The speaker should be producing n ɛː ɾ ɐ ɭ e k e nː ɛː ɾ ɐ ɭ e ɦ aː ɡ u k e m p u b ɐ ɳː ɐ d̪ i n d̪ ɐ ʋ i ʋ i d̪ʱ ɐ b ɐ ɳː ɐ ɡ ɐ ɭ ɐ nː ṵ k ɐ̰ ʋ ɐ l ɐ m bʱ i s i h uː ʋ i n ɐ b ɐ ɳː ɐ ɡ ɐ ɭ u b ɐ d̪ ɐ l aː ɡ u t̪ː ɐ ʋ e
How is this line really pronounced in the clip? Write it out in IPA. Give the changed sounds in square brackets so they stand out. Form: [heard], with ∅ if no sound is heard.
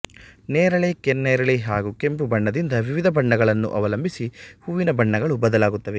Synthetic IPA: n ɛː ɾ ɐ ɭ e k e nː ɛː ɾ ɐ ɭ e ɦ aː ɡ u k e m p u b ɐ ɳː ɐ d̪ i n d̪ ɐ ʋ i ʋ i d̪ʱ ɐ b ɐ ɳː ɐ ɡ ɐ ɭ ɐ nː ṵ [ʔ] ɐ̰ ʋ ɐ l ɐ m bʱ i s i h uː ʋ i n ɐ b ɐ ɳː ɐ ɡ ɐ ɭ u b ɐ d̪ ɐ l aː ɡ u t̪ː ɐ ʋ e